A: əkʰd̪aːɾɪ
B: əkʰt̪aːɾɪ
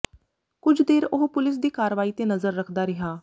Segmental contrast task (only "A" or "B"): A